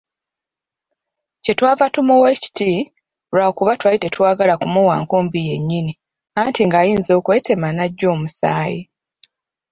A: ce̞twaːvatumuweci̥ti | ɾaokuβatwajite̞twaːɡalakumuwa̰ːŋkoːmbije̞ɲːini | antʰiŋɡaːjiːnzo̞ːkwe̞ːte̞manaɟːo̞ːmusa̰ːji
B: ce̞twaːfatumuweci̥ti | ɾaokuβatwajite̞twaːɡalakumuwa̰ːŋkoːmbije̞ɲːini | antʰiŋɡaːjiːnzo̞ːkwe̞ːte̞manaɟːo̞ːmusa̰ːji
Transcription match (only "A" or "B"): A